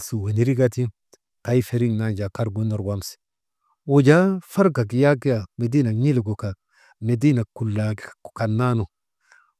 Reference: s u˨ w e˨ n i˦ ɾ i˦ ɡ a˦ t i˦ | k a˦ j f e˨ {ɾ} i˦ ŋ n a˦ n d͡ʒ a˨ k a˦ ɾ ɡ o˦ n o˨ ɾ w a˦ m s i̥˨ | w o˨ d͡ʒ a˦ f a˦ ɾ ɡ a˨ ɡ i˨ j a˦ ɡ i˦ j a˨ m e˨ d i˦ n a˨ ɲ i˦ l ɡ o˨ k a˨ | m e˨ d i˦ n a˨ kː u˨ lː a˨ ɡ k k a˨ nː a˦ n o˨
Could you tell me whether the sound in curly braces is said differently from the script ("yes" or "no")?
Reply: no